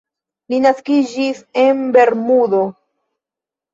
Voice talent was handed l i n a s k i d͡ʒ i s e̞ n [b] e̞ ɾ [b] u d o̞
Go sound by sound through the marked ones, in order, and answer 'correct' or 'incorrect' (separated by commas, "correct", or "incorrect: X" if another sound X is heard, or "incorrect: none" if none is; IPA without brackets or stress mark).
correct, incorrect: m